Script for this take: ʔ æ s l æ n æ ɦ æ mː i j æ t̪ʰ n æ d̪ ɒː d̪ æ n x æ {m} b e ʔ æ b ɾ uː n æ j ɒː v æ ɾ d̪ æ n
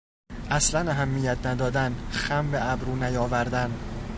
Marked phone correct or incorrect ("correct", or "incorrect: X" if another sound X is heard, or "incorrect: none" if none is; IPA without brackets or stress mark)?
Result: correct